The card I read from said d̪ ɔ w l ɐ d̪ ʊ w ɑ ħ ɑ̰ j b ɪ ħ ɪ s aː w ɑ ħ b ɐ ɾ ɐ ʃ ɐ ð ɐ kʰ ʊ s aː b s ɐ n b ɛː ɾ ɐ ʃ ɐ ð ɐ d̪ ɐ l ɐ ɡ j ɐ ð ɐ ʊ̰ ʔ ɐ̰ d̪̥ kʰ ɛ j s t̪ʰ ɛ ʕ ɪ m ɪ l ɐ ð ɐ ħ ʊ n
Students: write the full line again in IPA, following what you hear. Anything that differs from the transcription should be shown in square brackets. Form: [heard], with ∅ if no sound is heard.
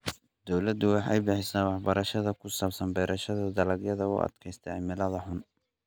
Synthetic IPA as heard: d̪ ɔ w l ɐ d̪ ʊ w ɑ ħ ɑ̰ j b ɪ ħ ɪ s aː w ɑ ħ b ɐ ɾ ɐ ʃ ɐ ð ɐ kʰ ʊ s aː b s ɐ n b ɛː ɾ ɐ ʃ ɐ ð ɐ d̪ ɐ l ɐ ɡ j ɐ ð ɐ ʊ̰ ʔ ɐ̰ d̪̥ kʰ ɛ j s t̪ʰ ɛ ʕ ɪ m ɪ l ɐ ð ɐ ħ ʊ n